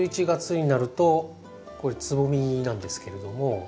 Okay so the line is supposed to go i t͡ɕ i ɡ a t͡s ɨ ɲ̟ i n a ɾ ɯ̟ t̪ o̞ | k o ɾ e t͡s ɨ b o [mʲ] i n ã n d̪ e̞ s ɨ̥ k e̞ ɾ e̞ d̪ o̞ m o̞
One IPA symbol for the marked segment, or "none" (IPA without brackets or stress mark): mʲ